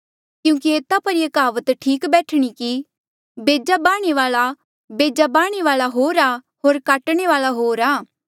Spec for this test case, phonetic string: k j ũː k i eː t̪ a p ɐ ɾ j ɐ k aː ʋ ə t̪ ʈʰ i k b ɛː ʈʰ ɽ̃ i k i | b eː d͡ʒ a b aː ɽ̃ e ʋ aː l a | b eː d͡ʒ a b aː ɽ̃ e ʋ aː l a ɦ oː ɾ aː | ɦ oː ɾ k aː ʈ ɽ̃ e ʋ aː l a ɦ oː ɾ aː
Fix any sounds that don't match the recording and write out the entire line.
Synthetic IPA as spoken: k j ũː k i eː t̪ a p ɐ ɾ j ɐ k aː ʋ ə t̪ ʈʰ iː k b ɛː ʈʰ ɽ̃ i k i | b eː d͡ʒ a b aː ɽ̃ e ʋ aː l a | b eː d͡ʒ a b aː ɽ̃ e ʋ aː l a ɦ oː ɾ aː | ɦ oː ɾ k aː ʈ ɽ̃ e ʋ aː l a ɦ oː ɾ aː

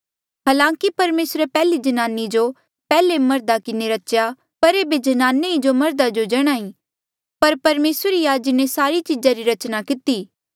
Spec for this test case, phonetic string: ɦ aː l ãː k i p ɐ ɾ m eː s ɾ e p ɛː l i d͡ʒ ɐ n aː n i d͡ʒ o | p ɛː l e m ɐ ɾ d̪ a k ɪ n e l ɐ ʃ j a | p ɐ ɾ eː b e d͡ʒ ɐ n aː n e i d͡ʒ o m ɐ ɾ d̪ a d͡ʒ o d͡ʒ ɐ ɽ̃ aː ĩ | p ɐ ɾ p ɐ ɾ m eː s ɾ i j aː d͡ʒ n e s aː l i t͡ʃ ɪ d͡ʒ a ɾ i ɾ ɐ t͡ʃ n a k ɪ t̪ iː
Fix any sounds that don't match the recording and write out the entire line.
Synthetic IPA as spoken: ɦ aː l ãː k i p ɐ ɾ m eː s ɾ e p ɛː l i d͡ʒ ɐ n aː n i d͡ʒ o | p ɛː l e m ɐ ɾ d̪ a k ɪ n e ɾ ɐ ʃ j a | p ɐ ɾ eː b e d͡ʒ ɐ n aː n e i d͡ʒ o m ɐ ɾ d̪ a d͡ʒ o d͡ʒ ɐ ɽ̃ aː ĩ | p ɐ ɾ p ɐ ɾ m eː s ɾ i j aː d͡ʒ n e s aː ɾ i t͡ʃ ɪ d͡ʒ a ɾ i ɾ ɐ t͡ʃ n a k ɪ t̪ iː

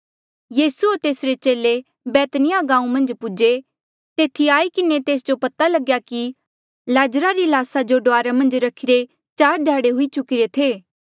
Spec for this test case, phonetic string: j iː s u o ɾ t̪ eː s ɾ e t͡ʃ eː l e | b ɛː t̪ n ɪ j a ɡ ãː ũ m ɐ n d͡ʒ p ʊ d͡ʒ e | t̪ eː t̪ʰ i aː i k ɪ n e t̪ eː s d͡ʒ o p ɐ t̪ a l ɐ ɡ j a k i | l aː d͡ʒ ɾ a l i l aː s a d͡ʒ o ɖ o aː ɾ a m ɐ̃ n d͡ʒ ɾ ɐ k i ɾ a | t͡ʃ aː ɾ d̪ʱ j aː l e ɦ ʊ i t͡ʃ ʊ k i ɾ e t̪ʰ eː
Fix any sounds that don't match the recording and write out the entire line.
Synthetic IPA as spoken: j iː s u o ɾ t̪ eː s ɾ e t͡ʃ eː l e | b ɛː t̪ n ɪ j a ɡ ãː ũ m ɐ̃ n d͡ʒ p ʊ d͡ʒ e | t̪ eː t̪ʰ i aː i k ɪ n e t̪ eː s d͡ʒ o p ɐ t̪ a l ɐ ɡ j a k i | l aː d͡ʒ ɾ a ɾ i l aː s a d͡ʒ o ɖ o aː ɾ a m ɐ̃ n d͡ʒ ɾ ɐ kʰ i ɾ e | t͡ʃ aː ɾ d̪ʱ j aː ɽ e ɦ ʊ i t͡ʃ ʊ k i ɾ e t̪ʰ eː

